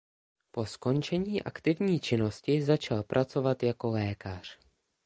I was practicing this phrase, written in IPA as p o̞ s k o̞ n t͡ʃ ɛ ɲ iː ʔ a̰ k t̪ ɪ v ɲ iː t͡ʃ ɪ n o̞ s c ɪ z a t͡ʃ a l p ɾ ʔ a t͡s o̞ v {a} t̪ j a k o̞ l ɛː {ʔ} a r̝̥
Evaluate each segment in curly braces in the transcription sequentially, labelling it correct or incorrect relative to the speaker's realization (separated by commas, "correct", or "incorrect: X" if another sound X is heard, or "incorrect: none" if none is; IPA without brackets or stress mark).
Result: correct, incorrect: k